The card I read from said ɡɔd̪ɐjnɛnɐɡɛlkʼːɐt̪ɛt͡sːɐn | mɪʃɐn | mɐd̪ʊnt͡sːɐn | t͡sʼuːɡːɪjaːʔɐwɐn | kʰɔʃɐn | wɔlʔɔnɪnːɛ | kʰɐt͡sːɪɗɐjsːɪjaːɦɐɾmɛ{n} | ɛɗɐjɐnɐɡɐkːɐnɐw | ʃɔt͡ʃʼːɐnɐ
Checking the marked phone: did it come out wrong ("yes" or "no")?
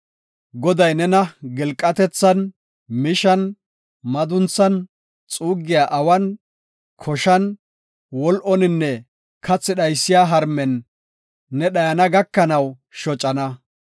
yes